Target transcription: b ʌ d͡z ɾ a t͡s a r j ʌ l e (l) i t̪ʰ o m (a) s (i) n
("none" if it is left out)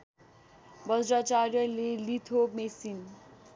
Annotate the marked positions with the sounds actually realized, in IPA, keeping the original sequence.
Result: l, e, i

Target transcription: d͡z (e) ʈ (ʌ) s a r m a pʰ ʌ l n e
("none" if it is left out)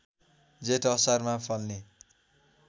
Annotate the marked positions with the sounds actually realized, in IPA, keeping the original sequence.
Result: e, ʌ

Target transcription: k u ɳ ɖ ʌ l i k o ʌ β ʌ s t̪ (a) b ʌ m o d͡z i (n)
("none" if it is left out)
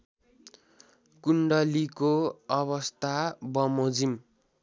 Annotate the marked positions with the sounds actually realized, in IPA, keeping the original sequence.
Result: a, m

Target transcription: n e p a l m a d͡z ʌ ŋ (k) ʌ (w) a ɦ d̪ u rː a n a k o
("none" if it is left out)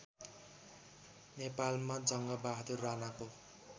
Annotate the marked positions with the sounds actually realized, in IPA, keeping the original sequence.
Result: ɡ, b

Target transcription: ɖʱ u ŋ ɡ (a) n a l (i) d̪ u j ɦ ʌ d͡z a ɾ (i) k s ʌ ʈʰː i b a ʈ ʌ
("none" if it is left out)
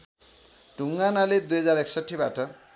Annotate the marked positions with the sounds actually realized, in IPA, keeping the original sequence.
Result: a, e, e

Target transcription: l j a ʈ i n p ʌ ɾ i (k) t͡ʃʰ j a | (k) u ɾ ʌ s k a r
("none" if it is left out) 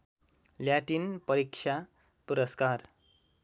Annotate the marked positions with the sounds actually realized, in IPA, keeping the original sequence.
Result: k, p

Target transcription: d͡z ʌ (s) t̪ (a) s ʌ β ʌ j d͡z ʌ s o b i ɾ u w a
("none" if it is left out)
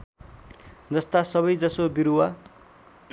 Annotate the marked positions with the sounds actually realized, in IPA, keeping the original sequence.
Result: s, a

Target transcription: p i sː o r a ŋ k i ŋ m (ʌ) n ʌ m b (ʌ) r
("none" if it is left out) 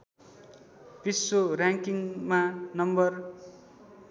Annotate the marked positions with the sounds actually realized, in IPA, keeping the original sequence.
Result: a, ʌ

